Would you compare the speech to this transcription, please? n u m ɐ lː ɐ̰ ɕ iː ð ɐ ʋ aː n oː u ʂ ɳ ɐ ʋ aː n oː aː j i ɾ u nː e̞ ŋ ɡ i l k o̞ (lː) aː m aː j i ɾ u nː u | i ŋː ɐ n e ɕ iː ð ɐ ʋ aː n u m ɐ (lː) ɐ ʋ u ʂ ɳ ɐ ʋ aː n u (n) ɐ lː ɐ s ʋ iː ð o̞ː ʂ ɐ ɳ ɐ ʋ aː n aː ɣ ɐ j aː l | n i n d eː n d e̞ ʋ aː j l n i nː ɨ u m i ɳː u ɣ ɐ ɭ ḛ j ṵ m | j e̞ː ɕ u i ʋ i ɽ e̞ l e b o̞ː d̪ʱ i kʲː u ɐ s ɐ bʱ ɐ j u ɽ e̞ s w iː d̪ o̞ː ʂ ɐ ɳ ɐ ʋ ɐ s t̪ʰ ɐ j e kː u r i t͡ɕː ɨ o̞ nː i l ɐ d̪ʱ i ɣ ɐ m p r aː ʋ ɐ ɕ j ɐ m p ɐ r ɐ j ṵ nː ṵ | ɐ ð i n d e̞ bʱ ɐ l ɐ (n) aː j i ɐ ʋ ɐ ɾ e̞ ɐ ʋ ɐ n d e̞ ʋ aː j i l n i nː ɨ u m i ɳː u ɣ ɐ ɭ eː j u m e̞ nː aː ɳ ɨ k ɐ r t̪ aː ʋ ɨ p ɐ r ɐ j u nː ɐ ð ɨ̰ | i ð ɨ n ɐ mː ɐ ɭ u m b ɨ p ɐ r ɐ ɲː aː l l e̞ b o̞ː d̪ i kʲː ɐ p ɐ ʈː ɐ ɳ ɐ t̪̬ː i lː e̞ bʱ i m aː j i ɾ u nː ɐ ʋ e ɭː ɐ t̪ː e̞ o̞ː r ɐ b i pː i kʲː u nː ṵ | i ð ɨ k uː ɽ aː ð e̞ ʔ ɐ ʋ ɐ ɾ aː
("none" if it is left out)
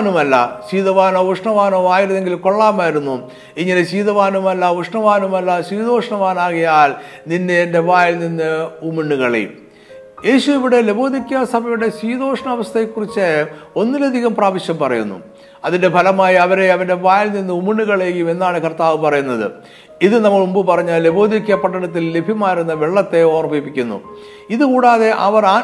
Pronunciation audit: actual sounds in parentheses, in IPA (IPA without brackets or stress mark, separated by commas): ɭː, lː, m, m